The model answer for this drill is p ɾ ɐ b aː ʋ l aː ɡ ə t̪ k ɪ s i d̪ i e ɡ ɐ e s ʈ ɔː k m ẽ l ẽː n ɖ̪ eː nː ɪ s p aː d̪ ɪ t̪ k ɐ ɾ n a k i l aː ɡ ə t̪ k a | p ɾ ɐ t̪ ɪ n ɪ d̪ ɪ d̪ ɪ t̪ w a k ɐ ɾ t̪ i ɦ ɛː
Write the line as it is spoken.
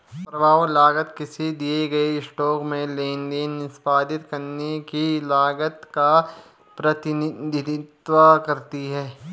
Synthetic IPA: p ɾ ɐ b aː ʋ l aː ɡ ə t̪ k ɪ s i d̪ i e ɡ ɐ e s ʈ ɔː k m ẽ l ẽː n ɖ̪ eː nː ɪ s p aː d̪ ɪ t̪ k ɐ ɾ n e k i l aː ɡ ə t̪ k a | p ɾ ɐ t̪ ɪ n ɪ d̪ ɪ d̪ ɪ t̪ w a k ɐ ɾ t̪ i ɦ ɛː